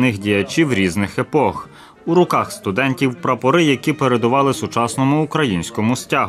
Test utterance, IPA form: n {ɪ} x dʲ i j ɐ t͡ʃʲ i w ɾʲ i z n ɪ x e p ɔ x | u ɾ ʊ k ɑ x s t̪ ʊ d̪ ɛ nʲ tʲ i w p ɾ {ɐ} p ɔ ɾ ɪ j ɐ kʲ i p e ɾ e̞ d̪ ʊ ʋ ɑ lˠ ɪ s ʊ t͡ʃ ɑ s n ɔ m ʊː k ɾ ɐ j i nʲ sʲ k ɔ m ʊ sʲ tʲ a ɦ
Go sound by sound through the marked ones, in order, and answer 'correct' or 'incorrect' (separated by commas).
correct, correct